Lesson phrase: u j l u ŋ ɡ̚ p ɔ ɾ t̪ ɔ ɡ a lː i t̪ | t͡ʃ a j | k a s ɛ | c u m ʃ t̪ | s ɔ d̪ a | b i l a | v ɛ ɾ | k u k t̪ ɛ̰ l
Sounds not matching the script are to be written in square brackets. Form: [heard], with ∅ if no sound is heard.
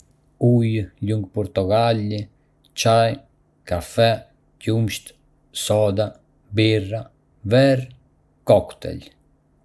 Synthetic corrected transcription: u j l u ŋ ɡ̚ p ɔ ɾ t̪ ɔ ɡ a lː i [∅] | t͡ʃ a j | k a [f] ɛ | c u m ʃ t̪ | s ɔ d̪ a | b i [r] a | v ɛ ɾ | k [ɔ] k t̪ ɛ̰ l

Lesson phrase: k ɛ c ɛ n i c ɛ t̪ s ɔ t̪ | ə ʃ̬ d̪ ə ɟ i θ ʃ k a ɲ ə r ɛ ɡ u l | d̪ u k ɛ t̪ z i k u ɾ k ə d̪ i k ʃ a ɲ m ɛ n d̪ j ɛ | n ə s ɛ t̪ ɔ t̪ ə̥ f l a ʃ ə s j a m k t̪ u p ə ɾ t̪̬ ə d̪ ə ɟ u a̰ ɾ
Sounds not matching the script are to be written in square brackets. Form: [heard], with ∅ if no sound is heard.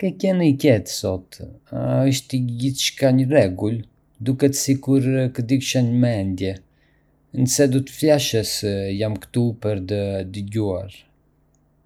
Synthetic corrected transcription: k ɛ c ɛ n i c ɛ t̪ s ɔ t̪ | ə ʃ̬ [t̪] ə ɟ i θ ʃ k a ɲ ə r ɛ ɡ u l | d̪ u k ɛ t̪ [s] i k u ɾ k ə d̪ i k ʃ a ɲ m ɛ n d̪ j ɛ | n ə s ɛ [d̪] ɔ t̪ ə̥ f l a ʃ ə s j a m k t̪ u p ə ɾ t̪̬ ə d̪ ə ɟ u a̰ ɾ

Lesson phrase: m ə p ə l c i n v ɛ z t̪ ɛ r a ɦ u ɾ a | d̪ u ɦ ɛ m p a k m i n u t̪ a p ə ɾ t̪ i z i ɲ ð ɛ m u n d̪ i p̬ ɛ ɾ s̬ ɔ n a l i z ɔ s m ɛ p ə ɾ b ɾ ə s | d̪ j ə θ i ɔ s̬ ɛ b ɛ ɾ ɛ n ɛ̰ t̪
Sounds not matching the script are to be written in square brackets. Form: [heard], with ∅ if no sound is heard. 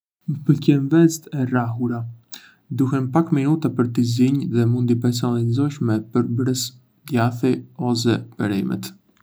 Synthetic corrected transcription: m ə p ə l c [ɛ] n v ɛ z t̪ ɛ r a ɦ u ɾ a | d̪ u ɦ ɛ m p a k m i n u t̪ a p ə ɾ t̪ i z i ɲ ð ɛ m u n d̪ i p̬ ɛ ɾ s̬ ɔ n a l i z ɔ [ʃ] m ɛ p ə ɾ b ɾ ə s | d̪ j [a] θ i ɔ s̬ ɛ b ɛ ɾ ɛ [m] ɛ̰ t̪

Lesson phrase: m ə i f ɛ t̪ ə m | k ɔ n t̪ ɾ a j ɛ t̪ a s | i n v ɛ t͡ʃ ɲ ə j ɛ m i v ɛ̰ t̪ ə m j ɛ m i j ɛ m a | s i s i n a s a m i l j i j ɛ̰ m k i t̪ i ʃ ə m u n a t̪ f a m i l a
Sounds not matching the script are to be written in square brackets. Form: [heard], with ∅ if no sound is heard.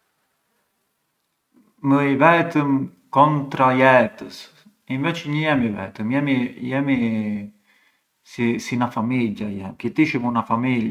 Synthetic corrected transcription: m ə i [v] ɛ t̪ ə m | k ɔ n t̪ ɾ a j ɛ t̪ [ə] s | i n v ɛ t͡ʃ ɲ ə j ɛ m i v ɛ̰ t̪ ə m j ɛ m i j ɛ m [i] | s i s i n a [f] a m i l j [a] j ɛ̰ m k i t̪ i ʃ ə m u n a [∅] f a m i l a

